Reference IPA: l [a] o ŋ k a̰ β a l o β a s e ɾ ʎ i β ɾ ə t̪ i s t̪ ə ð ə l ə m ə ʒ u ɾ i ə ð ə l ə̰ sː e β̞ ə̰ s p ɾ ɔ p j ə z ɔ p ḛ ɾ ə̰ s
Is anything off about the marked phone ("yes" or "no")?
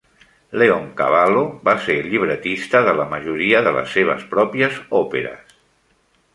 yes